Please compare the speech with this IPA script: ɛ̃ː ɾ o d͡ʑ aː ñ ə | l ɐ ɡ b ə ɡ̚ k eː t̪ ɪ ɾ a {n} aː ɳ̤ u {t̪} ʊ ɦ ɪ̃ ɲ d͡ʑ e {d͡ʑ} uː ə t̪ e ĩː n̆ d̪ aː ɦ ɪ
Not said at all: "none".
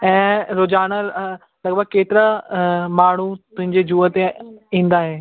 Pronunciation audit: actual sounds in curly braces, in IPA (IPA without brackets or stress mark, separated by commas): m, t̪, d͡ʑ